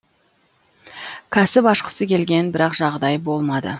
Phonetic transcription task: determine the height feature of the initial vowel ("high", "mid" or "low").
low